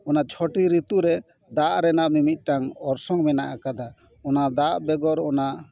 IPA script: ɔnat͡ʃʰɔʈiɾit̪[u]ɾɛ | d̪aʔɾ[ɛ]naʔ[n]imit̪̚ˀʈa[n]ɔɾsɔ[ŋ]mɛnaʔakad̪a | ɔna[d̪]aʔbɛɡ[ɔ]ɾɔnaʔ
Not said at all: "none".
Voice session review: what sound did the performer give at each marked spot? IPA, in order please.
u, ɛ, m, ŋ, ŋ, d̪, ɔ

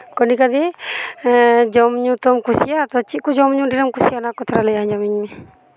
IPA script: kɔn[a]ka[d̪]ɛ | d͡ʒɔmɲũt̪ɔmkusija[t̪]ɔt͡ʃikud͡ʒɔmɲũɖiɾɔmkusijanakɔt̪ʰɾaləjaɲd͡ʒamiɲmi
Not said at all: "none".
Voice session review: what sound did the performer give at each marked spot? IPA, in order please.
i, d̪, t̪

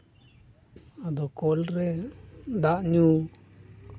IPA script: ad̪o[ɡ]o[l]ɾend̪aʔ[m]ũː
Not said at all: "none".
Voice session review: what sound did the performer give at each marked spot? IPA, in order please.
k, l, ɲ

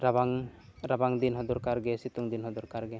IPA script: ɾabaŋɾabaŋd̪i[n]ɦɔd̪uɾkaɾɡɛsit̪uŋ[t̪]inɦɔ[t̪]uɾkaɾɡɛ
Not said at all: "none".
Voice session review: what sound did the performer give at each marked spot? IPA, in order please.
n, d̪, d̪

